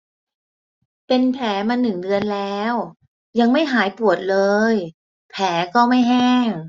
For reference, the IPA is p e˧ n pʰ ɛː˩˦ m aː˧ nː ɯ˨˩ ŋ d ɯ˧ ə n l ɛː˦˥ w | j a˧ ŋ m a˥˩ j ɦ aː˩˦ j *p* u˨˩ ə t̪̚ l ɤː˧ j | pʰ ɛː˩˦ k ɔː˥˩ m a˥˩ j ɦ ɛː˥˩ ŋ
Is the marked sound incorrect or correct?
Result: correct